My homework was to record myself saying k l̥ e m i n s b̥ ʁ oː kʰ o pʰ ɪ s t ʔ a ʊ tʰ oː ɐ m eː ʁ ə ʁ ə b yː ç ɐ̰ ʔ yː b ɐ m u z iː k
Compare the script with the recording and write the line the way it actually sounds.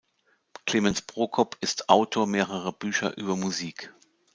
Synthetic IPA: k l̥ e m ɛ n s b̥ ʁ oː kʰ ɔ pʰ ɪ s t ʔ a ʊ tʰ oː ɐ m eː ʁ ə ʁ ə b yː ç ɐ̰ ʔ yː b ɐ m u z iː k